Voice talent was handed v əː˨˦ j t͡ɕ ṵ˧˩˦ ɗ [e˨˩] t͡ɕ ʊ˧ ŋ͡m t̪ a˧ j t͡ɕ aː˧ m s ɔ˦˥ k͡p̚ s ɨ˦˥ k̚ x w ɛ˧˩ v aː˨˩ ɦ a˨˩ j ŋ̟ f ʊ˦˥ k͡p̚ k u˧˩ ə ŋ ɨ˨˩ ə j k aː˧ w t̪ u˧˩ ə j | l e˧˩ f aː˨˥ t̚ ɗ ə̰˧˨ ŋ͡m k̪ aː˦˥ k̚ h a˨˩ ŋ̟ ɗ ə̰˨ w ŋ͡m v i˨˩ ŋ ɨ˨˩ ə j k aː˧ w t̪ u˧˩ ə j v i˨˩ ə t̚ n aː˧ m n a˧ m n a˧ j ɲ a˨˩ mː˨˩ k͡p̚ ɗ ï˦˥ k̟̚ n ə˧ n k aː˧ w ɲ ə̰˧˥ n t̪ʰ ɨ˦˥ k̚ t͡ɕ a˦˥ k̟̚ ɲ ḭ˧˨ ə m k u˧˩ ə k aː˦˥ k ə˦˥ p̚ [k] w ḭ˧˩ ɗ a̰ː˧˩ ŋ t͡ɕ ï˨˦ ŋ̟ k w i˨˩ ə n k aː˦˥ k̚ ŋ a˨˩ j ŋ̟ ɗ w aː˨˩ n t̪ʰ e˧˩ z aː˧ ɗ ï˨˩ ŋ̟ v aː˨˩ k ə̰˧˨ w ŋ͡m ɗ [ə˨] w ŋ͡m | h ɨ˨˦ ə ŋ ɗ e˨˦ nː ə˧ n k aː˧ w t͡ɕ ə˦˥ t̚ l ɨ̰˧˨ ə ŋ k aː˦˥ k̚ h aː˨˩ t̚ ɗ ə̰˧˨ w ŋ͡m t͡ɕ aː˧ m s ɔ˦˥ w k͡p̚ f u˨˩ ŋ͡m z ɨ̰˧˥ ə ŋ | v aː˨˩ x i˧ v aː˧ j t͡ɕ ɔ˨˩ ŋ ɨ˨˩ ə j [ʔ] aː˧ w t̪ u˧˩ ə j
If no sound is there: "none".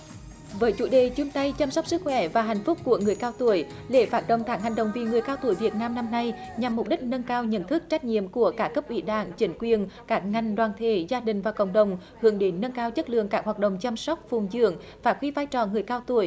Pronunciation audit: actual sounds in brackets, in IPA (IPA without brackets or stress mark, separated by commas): e˨˩, ʔ, ə˨, k